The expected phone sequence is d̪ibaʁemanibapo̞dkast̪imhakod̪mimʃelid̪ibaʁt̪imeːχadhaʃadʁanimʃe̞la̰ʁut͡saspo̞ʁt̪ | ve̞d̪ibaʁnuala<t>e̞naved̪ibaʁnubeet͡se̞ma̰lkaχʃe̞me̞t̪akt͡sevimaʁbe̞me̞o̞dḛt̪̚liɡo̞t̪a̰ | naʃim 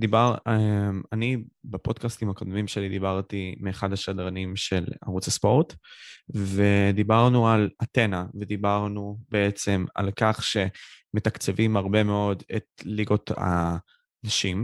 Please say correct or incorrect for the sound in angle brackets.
correct